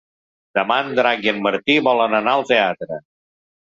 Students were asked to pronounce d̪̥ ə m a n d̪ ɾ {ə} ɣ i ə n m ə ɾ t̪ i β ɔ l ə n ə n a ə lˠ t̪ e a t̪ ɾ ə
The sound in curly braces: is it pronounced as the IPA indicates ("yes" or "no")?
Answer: no